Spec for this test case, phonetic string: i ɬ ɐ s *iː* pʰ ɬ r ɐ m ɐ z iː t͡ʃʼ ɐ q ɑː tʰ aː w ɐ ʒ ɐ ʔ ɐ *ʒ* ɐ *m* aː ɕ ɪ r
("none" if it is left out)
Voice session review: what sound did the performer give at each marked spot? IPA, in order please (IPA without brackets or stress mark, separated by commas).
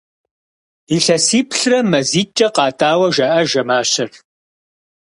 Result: iː, ʒ, m